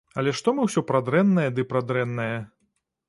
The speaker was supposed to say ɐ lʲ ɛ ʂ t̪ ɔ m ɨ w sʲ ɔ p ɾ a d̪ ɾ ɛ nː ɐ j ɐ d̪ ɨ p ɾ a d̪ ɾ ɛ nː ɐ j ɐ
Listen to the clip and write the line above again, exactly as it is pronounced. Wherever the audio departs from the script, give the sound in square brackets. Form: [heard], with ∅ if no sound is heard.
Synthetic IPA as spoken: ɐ lʲ ɛ ʂ t̪ ɔ m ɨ w sʲ ɔ p ɾ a d̪ ɾ ɛ nː ɐ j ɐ d̪ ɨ p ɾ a d̪ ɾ ɛ nː ɐ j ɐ